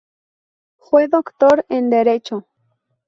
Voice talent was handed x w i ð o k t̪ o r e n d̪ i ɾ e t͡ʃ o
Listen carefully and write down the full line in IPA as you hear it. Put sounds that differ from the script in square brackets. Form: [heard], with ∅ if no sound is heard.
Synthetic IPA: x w [e] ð o k t̪ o [ɾ] e n d̪ [e] ɾ e t͡ʃ o